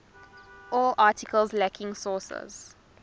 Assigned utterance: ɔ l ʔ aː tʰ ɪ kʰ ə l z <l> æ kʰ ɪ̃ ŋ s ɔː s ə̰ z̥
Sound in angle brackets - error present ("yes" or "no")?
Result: no